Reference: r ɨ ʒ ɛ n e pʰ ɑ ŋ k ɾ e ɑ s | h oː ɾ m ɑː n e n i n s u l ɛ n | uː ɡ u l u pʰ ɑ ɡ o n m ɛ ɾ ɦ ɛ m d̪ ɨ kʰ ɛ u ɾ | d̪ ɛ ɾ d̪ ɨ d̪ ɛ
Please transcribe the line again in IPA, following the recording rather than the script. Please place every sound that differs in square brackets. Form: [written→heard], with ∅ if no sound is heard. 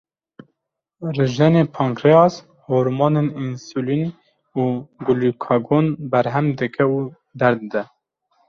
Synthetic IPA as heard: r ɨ ʒ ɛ n e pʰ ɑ ŋ k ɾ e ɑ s | h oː ɾ m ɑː n e n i n s u l [ɛ→i] n | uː ɡ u l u [pʰ→kʰ] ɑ ɡ o n [m→b] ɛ ɾ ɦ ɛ m d̪ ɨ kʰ ɛ u [ɾ→∅] | d̪ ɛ ɾ d̪ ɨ d̪ ɛ